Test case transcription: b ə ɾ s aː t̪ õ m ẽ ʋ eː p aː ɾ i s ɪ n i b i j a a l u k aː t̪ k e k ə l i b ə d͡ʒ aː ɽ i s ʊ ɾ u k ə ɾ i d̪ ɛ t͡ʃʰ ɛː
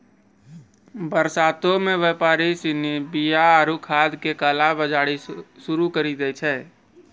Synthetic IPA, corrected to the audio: b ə ɾ s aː t̪ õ m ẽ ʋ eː p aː ɾ i s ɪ n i b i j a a ɾ u kʰ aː d̪ k e k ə l a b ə d͡ʒ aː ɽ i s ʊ ɾ u k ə ɾ i d̪ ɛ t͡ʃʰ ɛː